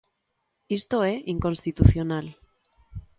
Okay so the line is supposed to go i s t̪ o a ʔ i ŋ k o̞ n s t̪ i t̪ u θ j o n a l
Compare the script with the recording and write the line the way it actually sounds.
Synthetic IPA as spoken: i s t̪ o e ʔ i ŋ k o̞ n s t̪ i t̪ u θ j o n a l